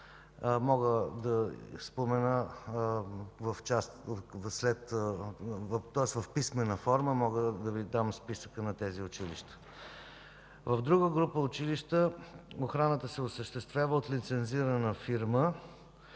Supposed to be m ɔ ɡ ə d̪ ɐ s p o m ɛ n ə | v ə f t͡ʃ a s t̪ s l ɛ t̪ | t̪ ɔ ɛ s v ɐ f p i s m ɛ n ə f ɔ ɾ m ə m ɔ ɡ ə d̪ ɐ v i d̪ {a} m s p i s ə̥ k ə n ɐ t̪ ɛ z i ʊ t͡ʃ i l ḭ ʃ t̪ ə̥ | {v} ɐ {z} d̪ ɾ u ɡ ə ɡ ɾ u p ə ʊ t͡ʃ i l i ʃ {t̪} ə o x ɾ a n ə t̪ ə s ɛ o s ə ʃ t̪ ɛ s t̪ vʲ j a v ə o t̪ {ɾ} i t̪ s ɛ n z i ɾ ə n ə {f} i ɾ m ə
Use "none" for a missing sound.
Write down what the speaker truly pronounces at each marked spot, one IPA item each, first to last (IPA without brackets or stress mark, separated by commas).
a, v, v, t̪, l, f